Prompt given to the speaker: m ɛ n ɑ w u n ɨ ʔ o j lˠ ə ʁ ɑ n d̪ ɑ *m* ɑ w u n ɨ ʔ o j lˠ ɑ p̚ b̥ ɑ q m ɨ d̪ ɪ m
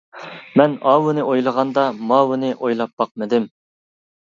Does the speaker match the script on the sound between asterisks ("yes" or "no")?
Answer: yes